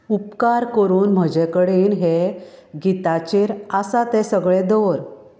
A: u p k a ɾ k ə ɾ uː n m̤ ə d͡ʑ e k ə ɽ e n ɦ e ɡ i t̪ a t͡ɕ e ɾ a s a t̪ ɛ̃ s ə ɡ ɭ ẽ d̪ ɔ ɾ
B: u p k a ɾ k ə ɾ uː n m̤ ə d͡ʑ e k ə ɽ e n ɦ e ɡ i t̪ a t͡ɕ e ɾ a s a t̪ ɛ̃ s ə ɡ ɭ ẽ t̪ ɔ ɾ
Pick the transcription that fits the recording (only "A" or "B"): A